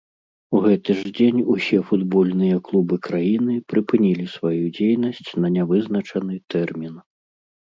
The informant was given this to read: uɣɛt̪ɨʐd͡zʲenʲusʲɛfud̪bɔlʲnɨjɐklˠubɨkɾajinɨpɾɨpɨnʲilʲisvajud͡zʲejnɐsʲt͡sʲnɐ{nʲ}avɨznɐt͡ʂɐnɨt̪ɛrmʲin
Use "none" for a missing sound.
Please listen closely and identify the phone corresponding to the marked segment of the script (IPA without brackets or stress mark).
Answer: nʲ